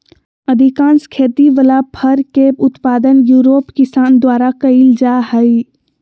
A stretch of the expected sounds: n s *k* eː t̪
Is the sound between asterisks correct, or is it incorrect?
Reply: incorrect